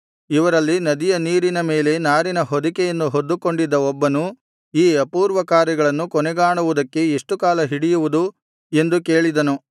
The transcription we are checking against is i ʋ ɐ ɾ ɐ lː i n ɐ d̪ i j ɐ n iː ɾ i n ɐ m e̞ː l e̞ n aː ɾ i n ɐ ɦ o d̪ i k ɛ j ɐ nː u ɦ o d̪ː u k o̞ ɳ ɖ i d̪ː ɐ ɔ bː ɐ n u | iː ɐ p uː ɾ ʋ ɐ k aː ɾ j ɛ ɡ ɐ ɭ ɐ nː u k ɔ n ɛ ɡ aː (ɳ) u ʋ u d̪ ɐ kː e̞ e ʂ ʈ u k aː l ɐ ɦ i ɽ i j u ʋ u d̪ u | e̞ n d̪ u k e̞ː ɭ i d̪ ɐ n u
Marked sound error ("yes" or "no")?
no